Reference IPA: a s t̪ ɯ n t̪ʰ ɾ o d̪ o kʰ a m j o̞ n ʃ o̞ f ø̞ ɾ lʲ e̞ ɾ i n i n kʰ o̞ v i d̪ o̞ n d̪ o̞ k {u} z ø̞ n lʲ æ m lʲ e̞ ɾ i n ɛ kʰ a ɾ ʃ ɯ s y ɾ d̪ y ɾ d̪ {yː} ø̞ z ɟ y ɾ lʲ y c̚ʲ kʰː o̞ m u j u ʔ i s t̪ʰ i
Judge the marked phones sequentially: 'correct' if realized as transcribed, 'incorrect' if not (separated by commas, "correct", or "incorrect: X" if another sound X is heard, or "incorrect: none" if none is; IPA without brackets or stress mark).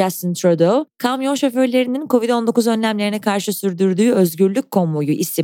correct, correct